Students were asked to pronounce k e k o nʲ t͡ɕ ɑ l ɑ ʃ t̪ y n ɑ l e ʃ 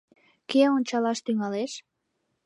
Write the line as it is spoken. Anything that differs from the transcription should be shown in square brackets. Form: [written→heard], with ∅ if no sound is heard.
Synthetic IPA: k e [k→∅] o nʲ t͡ɕ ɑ l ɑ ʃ t̪ y [n→ŋ] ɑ l e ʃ